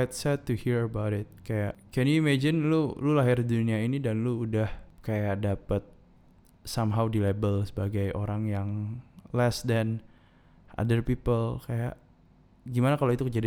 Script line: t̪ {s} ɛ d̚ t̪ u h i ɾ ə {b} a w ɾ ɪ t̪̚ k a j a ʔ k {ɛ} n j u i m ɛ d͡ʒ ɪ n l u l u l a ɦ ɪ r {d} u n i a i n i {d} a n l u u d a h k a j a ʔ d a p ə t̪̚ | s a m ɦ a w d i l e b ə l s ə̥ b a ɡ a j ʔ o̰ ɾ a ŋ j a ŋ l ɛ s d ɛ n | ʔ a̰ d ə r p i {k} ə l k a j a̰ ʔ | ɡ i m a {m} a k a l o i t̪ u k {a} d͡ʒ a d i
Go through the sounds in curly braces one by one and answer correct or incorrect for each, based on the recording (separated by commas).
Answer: correct, correct, correct, correct, correct, incorrect, incorrect, incorrect